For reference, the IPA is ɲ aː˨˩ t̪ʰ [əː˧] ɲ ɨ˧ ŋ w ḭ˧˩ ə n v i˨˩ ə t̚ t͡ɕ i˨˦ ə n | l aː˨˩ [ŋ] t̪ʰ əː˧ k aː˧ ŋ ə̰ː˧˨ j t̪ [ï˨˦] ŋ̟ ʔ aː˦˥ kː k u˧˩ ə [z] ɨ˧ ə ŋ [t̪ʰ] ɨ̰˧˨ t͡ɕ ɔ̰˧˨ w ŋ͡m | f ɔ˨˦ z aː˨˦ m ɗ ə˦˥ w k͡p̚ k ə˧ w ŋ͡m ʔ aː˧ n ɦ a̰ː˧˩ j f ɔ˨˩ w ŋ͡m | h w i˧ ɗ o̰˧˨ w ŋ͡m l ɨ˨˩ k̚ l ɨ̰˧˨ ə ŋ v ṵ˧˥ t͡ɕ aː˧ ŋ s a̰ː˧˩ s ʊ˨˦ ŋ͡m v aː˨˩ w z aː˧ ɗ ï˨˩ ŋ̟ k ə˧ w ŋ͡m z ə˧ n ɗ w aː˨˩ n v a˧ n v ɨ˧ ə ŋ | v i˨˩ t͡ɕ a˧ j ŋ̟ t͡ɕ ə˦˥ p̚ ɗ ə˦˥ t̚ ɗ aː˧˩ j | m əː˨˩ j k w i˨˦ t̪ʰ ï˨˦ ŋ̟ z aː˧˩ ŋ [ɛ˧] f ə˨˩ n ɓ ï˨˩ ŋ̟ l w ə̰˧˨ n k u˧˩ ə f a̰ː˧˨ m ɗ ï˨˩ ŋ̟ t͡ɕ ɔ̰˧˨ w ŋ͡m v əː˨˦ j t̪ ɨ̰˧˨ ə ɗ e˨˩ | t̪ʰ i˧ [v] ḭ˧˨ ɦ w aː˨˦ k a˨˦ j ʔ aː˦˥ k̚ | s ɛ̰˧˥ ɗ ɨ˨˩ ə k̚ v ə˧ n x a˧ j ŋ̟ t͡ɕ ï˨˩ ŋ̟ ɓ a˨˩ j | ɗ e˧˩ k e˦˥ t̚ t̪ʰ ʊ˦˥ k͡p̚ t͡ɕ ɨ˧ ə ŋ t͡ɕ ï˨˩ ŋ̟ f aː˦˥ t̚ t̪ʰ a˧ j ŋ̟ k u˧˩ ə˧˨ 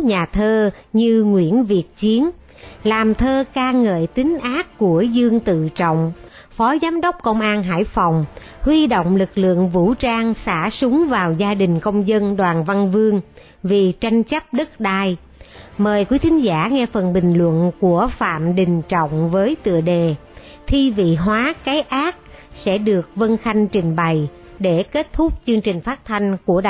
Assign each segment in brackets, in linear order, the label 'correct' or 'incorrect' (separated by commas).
correct, incorrect, correct, correct, incorrect, correct, correct